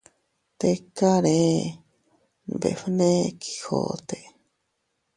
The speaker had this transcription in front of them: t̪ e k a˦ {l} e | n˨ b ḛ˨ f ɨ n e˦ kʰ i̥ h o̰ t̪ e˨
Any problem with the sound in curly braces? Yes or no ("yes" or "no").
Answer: yes